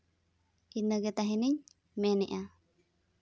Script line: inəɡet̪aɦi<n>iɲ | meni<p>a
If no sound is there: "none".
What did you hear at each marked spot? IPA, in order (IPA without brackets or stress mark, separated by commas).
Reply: n, ʔ